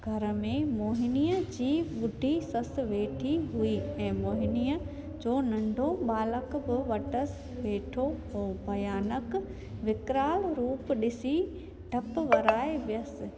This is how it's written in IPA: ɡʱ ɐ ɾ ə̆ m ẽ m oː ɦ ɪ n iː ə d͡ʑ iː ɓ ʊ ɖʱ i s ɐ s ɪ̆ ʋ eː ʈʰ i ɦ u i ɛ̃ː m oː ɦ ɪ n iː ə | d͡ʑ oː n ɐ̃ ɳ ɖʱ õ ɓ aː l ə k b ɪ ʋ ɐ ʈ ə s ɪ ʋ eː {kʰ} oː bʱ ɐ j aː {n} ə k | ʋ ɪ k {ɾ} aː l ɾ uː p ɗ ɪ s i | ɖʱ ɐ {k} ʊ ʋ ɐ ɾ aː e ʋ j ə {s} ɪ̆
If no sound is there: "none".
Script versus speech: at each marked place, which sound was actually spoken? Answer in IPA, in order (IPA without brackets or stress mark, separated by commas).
ʈʰ, n, ɾ, p, s